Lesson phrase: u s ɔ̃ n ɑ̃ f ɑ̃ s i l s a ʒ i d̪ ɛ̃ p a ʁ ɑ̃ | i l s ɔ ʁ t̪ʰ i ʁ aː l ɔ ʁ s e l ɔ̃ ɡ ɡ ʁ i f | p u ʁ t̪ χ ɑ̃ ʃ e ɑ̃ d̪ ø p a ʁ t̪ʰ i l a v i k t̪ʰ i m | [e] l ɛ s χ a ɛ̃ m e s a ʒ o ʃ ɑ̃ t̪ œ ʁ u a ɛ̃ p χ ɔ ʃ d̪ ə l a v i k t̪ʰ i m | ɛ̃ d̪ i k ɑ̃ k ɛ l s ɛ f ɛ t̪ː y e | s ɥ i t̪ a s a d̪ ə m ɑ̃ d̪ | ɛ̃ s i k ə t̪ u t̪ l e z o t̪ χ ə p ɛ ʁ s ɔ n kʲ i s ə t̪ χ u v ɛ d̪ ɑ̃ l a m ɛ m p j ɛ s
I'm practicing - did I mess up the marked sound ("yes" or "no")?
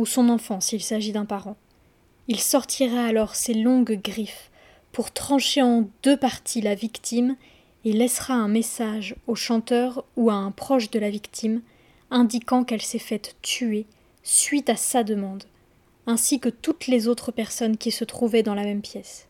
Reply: no